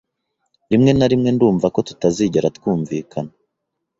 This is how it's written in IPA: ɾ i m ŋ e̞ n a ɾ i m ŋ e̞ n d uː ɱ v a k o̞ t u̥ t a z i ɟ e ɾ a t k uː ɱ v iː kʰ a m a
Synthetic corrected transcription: ɾ i m ŋ e̞ n a ɾ i m ŋ e̞ n d uː ɱ v a k o̞ t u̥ t a z i ɟ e ɾ a t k uː ɱ v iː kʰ a n a